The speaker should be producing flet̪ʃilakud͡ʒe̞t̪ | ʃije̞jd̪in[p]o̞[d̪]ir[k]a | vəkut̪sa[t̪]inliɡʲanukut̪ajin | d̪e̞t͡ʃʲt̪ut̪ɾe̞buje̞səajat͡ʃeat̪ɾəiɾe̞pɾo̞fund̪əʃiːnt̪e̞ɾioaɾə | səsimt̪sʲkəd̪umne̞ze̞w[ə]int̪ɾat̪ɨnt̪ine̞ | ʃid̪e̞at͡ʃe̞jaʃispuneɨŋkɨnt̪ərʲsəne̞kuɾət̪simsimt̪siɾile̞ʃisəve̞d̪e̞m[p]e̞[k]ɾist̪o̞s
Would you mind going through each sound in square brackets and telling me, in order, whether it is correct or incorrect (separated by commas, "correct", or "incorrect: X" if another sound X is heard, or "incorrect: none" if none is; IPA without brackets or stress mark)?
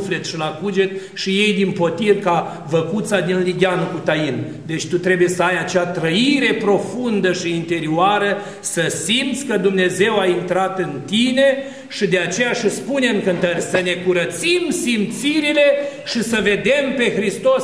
correct, incorrect: t̪, correct, incorrect: d̪, incorrect: a, correct, incorrect: x